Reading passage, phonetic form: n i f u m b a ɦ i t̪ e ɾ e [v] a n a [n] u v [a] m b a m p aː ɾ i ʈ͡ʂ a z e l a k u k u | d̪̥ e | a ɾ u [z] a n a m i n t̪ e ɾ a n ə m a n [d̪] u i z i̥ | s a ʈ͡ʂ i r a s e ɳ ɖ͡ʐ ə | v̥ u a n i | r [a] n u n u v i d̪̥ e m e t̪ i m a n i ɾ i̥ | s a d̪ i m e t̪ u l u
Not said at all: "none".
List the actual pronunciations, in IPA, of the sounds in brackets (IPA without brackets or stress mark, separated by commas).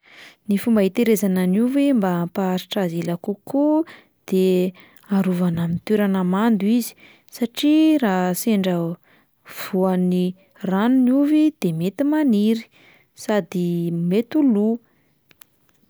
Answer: z, n, e, v, d̪, a